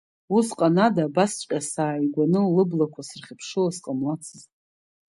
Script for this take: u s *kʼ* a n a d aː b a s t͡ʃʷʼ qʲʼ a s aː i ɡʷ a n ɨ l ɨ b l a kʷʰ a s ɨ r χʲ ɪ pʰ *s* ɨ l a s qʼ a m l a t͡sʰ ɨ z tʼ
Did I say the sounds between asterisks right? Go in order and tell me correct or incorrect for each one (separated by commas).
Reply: incorrect, incorrect